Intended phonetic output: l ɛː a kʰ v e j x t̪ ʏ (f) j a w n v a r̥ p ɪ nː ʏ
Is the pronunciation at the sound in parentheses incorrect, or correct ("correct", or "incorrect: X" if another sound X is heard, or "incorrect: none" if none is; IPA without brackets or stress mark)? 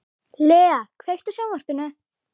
incorrect: s